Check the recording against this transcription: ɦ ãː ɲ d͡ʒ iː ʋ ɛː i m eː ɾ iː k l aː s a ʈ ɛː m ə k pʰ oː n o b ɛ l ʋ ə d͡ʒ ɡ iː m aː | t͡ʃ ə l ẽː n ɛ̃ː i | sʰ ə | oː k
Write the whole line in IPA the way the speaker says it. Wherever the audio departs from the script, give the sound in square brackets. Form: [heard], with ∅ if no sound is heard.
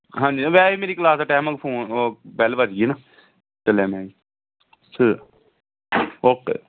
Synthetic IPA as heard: ɦ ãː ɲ d͡ʒ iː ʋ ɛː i m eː ɾ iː k l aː s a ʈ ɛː m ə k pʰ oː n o b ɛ l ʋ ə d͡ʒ ɡ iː [n] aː | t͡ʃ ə l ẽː [m] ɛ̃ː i | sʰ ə | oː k

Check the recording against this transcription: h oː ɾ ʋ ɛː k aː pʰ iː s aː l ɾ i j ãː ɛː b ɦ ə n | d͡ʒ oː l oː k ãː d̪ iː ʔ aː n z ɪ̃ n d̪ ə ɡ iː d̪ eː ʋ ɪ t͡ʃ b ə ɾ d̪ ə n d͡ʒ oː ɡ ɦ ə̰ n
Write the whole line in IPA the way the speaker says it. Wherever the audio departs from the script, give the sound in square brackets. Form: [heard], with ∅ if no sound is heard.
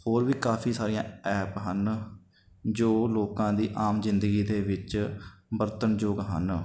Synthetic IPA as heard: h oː ɾ ʋ [iː] k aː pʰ iː s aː [∅] ɾ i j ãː ɛː [p] ɦ ə n | d͡ʒ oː l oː k ãː d̪ iː ʔ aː [m] z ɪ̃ n d̪ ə ɡ iː d̪ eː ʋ ɪ t͡ʃ b ə ɾ [t̪] ə n d͡ʒ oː ɡ ɦ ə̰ n

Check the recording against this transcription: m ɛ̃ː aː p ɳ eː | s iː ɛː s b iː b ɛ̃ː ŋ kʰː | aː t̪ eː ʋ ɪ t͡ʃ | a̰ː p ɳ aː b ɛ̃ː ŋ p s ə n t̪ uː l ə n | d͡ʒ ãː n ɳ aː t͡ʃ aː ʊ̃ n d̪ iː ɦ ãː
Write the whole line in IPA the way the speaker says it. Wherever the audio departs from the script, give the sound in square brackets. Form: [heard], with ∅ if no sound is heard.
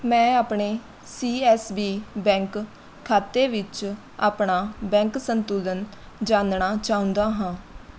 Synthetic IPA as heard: m ɛ̃ː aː p ɳ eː | s iː ɛː s b iː b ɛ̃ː ŋ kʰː | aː t̪ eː ʋ ɪ t͡ʃ | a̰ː p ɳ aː b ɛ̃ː ŋ [k] s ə n t̪ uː l ə n | d͡ʒ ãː n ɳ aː t͡ʃ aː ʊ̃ n d̪ [aː] ɦ ãː

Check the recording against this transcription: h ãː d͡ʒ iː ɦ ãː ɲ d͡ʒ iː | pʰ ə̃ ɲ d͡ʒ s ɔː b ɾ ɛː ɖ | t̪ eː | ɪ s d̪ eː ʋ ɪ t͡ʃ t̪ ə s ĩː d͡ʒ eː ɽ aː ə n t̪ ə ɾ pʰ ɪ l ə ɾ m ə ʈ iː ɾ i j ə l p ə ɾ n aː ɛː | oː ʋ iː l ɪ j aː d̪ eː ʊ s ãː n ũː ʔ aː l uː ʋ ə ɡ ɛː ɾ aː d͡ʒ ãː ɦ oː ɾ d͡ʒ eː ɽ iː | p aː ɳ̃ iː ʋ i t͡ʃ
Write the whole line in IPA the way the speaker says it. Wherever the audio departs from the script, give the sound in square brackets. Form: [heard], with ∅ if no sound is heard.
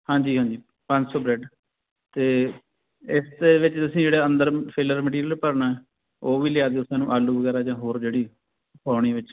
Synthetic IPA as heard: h ãː d͡ʒ iː ɦ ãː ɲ d͡ʒ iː | [p] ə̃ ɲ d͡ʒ s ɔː b ɾ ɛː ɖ | t̪ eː | ɪ s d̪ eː ʋ ɪ t͡ʃ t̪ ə s ĩː d͡ʒ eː ɽ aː ə n [d̪] ə ɾ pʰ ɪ l ə ɾ m ə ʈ iː ɾ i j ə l p ə ɾ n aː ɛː | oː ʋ iː l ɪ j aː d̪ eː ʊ s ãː n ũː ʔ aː l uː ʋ ə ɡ ɛː ɾ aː d͡ʒ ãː ɦ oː ɾ d͡ʒ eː ɽ iː | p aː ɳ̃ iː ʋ [ɪ] t͡ʃ

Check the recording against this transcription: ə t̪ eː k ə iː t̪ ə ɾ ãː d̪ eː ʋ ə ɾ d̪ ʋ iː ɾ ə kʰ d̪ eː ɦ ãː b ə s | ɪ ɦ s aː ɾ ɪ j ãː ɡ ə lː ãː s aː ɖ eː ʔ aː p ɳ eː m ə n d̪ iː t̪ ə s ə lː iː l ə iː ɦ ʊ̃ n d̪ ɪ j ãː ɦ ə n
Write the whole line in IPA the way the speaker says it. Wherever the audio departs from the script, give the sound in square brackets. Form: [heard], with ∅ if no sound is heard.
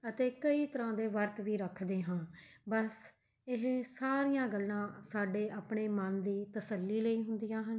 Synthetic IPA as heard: ə t̪ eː k ə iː t̪ ə ɾ ãː d̪ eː ʋ ə ɾ [t̪] ʋ iː ɾ ə kʰ d̪ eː ɦ ãː b ə s | ɪ ɦ s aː ɾ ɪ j ãː ɡ ə lː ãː s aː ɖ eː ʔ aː p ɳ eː m ə n d̪ iː t̪ ə s ə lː iː l ə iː ɦ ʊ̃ n d̪ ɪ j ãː ɦ ə n

